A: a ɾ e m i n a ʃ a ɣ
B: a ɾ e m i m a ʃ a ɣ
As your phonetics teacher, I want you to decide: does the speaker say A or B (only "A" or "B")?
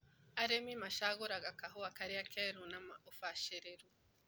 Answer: B